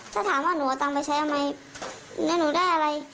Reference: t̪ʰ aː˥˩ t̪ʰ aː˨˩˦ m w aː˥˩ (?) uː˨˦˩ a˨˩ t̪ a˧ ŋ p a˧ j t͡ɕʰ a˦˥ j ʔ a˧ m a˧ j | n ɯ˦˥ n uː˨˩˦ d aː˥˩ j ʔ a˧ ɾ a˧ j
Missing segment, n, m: n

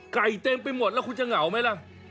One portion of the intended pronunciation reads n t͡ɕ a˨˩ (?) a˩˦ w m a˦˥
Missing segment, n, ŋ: ŋ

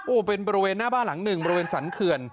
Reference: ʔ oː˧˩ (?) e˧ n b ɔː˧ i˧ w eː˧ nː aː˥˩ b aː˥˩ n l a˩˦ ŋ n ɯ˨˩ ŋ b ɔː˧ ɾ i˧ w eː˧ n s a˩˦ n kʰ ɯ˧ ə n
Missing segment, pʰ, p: p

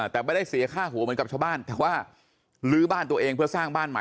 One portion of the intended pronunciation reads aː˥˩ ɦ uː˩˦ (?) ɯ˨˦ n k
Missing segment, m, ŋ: m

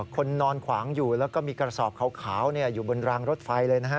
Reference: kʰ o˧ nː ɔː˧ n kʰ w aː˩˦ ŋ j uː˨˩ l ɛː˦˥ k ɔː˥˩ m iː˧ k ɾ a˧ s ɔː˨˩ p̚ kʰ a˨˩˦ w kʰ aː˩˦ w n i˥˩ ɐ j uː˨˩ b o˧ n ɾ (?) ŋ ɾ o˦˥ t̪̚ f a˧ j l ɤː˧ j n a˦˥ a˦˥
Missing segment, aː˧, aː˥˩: aː˧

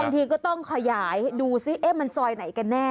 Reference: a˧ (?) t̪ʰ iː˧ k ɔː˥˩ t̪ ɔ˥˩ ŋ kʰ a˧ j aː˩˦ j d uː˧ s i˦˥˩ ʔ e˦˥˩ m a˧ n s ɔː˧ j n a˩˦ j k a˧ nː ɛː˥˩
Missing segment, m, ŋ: ŋ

